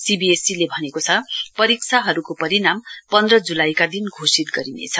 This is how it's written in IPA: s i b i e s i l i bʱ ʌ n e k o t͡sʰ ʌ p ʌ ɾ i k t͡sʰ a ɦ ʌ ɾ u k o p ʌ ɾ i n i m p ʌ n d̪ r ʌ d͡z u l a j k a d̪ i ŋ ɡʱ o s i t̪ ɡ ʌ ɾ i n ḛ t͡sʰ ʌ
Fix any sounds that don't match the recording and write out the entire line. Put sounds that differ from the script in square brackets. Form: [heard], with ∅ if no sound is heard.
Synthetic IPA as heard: s i b i e s i l [e] bʱ ʌ n e k o t͡sʰ ʌ p ʌ ɾ i k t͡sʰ a ɦ ʌ ɾ u k o p ʌ ɾ i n [a] m p ʌ n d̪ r ʌ d͡z u l a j k a d̪ i [n] ɡʱ o s i t̪ ɡ ʌ ɾ i n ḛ t͡sʰ ʌ